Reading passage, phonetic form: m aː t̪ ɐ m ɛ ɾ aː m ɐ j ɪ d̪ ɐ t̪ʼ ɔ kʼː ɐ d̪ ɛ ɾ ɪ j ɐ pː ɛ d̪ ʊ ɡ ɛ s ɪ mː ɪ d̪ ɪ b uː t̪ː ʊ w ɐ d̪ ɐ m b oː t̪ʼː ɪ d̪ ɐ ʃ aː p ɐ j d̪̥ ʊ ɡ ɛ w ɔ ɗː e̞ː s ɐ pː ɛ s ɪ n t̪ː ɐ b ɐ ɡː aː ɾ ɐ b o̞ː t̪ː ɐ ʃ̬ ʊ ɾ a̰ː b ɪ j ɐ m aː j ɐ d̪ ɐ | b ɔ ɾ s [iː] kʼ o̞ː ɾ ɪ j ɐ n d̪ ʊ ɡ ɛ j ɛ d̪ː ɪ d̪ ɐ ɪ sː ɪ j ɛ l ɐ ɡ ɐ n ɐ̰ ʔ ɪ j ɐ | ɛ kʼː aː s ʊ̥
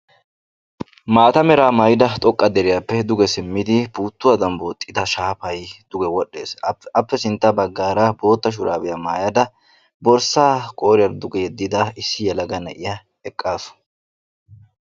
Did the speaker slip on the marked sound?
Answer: yes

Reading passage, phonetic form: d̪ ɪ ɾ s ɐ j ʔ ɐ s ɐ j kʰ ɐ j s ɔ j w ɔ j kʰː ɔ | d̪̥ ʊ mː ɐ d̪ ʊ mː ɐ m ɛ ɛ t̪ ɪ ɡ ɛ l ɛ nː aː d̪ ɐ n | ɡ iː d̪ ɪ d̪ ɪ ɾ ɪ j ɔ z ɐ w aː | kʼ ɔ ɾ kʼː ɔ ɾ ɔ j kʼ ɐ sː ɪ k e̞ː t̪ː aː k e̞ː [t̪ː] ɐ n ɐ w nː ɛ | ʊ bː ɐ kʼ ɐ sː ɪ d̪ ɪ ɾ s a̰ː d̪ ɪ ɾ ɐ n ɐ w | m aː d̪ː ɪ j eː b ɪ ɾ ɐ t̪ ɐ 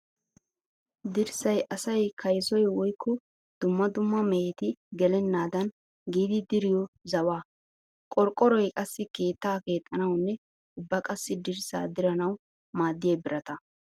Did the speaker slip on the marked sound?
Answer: yes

